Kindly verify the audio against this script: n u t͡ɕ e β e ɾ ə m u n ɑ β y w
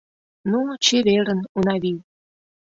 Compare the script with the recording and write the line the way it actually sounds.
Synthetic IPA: n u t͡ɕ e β e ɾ ə n u n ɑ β i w